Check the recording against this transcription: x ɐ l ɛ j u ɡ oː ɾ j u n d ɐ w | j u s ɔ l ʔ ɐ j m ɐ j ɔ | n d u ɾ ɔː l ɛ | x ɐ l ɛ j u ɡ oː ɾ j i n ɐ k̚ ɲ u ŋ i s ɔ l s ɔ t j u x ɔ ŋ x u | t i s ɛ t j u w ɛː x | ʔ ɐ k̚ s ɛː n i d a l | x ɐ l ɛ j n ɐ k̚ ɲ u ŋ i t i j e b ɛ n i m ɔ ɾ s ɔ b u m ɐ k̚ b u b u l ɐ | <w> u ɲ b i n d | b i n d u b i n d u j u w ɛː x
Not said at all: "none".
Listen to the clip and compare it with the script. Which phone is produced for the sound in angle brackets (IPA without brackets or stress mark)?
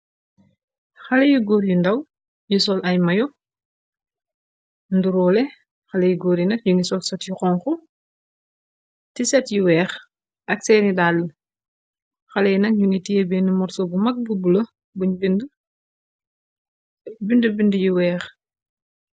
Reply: b